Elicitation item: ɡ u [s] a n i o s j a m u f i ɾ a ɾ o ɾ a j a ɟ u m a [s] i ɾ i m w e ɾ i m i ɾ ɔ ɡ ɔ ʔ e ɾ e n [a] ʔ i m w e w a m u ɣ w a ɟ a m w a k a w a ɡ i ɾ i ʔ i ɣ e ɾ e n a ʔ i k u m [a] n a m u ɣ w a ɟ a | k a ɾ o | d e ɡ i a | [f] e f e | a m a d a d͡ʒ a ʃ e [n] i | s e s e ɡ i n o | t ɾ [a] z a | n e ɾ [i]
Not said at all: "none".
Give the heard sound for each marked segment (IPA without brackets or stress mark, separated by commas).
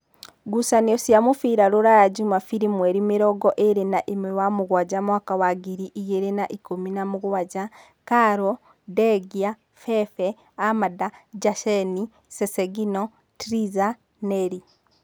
s, f, a, i, f, n, i, i